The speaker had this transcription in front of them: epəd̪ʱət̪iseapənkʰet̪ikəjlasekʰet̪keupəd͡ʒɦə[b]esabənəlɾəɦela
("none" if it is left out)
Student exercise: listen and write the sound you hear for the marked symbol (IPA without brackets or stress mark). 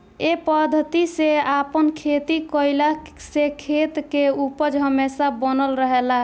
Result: m